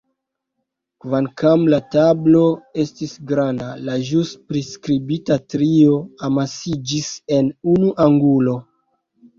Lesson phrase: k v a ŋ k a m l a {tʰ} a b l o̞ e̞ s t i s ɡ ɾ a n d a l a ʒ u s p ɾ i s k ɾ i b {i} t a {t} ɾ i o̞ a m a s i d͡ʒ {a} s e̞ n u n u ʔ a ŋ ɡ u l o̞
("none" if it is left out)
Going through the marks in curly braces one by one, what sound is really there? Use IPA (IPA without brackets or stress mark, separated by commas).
t, i, t, i